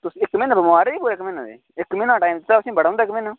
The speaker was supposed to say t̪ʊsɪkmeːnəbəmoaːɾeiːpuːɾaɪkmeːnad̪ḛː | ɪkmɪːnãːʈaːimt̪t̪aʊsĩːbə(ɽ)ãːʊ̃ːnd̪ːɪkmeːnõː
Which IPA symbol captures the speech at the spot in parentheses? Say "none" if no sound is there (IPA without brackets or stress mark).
ɽ